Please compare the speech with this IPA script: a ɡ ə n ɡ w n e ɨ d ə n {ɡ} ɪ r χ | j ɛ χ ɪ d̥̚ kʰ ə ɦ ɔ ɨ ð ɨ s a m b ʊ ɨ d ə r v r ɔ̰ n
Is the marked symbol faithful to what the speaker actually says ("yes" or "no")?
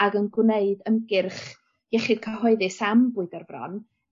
yes